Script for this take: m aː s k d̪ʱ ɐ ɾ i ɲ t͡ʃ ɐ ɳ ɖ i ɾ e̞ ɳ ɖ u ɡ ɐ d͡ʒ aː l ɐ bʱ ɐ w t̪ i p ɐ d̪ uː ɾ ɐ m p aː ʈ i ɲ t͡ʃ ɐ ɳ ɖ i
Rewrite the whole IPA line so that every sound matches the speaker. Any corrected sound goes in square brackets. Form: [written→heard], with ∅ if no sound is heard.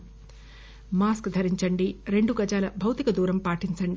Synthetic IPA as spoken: m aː s k d̪ʱ ɐ ɾ i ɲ t͡ʃ ɐ ɳ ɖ i ɾ e̞ ɳ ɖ u ɡ ɐ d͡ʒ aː l ɐ bʱ ɐ w t̪ i [p→k] ɐ d̪ uː ɾ ɐ m p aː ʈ i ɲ t͡ʃ ɐ ɳ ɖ i